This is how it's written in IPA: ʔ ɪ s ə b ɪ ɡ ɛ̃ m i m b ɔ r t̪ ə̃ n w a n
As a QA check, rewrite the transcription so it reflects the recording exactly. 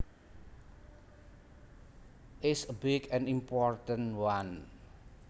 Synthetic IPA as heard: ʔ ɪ s ə b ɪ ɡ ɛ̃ n i m p ɔ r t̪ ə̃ n w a n